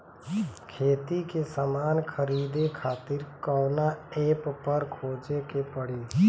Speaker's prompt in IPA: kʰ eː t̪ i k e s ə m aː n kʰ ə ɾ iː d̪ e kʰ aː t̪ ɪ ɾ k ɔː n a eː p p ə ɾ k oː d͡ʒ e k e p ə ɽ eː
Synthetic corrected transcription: kʰ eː t̪ i k e s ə m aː n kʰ ə ɾ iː d̪ e kʰ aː t̪ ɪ ɾ k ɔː n a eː p p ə ɾ kʰ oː d͡ʒ e k e p ə ɽ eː